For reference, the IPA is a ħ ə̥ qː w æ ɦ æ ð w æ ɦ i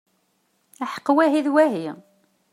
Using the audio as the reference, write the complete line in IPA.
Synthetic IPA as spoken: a ħ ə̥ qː w æ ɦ i ð w æ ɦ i